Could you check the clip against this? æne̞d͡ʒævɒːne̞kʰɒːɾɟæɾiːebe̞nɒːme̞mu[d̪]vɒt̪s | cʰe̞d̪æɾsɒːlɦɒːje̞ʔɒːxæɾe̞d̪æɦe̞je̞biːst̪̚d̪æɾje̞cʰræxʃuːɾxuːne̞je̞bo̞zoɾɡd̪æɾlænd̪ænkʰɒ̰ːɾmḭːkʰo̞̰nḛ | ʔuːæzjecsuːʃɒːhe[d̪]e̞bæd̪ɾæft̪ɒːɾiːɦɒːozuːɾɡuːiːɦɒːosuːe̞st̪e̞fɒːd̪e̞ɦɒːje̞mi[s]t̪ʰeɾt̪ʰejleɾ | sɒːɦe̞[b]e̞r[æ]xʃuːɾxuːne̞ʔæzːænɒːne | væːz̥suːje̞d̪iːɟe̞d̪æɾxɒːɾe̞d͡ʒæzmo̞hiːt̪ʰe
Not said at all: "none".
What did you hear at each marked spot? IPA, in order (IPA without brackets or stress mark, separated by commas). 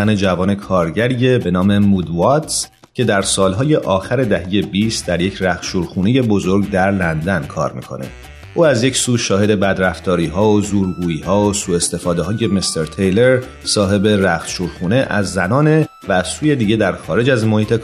d̪, d̪, s, b, æ